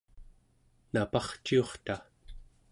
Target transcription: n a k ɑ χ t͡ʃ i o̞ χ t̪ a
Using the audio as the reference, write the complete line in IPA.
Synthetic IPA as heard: n a p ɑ χ t͡ʃ i o̞ χ t̪ a